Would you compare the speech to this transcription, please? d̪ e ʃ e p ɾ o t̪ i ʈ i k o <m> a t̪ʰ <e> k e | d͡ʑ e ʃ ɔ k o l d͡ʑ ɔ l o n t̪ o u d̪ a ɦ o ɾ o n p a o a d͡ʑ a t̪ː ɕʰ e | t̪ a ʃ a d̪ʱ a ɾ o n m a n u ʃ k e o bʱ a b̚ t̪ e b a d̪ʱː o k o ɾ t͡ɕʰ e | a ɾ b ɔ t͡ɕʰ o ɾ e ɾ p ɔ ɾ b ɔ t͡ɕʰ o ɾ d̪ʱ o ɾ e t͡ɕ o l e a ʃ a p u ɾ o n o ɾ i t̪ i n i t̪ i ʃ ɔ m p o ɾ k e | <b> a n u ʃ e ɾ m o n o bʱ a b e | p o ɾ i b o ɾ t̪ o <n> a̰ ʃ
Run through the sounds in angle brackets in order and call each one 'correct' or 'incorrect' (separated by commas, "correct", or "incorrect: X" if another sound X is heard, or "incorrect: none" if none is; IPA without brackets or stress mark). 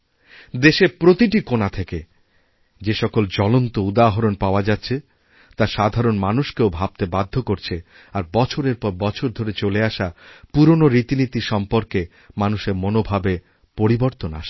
incorrect: n, correct, incorrect: m, correct